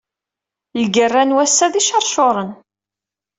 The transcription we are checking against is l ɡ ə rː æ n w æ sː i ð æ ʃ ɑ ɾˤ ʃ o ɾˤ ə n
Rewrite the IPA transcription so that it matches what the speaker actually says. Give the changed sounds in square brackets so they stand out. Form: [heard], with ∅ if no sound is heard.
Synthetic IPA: l ɡ ə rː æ n w æ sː [æ] ð [i] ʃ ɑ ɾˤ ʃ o ɾˤ ə n